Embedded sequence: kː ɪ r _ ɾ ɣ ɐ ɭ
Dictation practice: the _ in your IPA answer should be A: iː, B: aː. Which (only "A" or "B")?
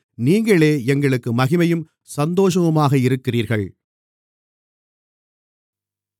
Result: A